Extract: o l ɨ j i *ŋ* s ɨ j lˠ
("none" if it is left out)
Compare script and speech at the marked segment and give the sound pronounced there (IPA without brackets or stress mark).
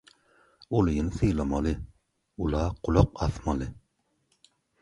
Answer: n